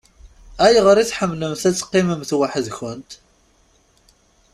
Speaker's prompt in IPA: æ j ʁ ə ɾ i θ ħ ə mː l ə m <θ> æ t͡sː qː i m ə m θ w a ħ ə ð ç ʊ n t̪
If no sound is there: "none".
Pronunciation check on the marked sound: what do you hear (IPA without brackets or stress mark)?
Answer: θ